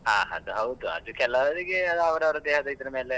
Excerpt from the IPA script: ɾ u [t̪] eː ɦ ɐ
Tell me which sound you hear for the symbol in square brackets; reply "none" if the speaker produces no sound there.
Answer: d̪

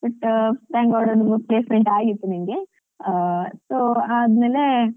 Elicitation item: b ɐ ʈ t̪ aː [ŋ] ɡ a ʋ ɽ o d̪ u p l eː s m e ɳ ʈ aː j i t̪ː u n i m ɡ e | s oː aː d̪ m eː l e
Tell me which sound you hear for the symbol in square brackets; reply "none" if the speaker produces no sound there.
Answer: ŋ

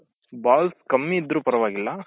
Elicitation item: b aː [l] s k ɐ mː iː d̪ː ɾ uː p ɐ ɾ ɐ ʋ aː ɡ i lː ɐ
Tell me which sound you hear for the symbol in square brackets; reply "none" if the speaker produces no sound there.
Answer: l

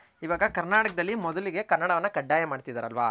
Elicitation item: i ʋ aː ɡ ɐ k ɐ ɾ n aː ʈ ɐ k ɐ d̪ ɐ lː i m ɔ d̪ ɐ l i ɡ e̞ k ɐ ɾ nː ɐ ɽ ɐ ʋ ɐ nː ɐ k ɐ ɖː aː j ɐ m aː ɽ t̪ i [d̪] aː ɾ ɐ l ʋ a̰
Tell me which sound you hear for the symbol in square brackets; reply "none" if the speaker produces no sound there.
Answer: d̪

